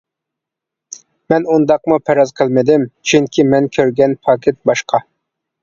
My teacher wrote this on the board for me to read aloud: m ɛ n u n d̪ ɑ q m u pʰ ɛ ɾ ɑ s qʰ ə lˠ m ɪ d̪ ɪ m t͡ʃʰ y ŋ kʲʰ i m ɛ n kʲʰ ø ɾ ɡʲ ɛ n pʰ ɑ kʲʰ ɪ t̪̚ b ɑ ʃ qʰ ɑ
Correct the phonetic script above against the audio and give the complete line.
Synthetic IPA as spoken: m ɛ n u n d̪ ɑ q m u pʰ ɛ ɾ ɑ z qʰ ə lˠ m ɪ d̪ ɪ m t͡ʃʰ y ŋ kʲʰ i m ɛ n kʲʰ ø ɾ ɡʲ ɛ n pʰ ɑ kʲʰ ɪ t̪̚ b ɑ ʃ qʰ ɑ